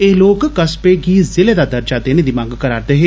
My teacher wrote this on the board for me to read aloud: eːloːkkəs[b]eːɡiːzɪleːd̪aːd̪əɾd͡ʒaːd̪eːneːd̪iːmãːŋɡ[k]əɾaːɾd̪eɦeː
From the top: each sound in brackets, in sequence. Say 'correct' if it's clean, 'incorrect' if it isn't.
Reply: incorrect: p, correct

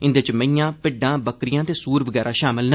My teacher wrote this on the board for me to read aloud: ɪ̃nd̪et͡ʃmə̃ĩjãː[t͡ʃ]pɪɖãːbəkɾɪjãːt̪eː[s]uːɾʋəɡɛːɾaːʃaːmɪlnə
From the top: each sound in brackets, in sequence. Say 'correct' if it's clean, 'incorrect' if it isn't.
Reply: incorrect: none, correct

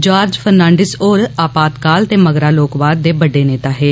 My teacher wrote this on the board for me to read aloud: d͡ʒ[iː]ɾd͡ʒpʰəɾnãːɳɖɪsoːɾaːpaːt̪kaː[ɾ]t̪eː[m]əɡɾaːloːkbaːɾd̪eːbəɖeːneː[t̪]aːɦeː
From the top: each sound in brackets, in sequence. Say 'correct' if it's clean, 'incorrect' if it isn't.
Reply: incorrect: aː, incorrect: l, correct, correct

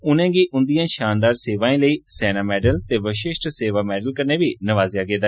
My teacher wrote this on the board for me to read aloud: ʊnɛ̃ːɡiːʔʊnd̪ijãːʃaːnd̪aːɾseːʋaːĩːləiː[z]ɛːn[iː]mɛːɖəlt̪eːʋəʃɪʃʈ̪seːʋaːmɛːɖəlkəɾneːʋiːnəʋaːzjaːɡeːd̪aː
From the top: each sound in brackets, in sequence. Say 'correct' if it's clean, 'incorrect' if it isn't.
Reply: incorrect: s, incorrect: aː

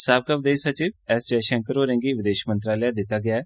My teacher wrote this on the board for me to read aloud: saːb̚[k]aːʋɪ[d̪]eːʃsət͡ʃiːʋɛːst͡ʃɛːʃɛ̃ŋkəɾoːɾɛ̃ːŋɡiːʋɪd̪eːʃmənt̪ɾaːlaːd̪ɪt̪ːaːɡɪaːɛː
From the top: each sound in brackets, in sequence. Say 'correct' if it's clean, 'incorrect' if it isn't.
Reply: correct, correct

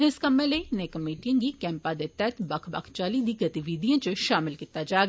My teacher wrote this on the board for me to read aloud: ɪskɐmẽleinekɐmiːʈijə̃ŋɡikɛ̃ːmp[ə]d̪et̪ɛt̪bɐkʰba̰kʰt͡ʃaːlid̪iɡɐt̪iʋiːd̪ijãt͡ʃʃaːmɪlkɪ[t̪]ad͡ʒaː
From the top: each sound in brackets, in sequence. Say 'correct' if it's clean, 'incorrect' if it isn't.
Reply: incorrect: a, correct

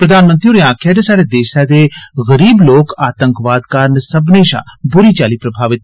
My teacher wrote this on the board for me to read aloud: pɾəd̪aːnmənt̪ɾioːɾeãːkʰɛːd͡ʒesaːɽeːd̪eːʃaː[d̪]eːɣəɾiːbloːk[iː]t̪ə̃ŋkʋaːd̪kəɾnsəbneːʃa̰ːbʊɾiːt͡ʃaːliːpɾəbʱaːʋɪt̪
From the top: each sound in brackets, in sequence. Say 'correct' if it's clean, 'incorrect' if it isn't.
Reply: correct, incorrect: aː

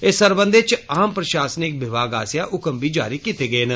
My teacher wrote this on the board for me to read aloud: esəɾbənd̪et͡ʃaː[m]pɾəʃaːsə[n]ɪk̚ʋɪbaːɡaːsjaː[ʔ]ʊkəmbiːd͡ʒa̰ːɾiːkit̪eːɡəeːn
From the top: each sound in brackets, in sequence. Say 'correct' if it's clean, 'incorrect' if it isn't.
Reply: correct, correct, correct

